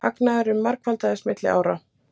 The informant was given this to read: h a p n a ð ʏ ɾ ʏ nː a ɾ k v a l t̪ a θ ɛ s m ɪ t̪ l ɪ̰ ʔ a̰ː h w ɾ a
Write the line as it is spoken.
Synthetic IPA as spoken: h a k n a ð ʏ ɾ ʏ mː a ɾ k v a l t̪ a ð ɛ s m ɪ t̪ l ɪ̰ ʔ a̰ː w ɾ a